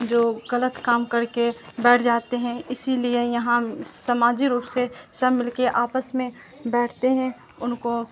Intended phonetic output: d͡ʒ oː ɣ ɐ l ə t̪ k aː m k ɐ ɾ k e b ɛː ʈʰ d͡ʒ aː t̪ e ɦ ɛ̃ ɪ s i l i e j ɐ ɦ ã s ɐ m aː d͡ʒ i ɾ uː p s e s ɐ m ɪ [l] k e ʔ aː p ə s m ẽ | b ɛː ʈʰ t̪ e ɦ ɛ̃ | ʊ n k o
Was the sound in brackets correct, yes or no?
yes